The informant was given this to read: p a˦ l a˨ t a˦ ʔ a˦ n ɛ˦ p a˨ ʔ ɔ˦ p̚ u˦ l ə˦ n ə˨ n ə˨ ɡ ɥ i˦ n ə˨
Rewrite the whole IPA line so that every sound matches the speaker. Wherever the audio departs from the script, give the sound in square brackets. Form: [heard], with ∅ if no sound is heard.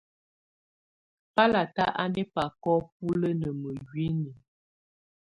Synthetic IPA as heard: p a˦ l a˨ t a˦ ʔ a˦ n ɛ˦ p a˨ [k] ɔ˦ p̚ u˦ l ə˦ n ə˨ [m] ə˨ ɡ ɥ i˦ n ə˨